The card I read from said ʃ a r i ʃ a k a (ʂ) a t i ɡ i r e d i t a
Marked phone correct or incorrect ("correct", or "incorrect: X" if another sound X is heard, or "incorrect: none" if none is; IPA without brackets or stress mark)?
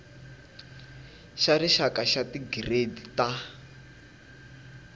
incorrect: ʃ